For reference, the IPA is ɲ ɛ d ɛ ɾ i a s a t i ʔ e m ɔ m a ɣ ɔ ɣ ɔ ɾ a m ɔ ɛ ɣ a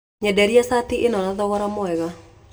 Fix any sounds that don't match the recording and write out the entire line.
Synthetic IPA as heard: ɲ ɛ d ɛ ɾ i a s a t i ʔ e n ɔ n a ð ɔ ɣ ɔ ɾ a m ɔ ɛ ɣ a